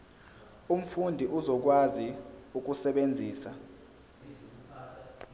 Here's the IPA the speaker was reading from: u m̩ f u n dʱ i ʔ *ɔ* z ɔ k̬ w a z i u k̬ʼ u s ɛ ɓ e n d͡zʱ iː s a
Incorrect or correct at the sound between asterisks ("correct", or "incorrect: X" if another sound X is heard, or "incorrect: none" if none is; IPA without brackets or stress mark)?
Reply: incorrect: u